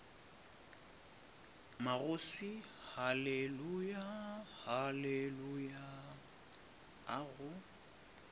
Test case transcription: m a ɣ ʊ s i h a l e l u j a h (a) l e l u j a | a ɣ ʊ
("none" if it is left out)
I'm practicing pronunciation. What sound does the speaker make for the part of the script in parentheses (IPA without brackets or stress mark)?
a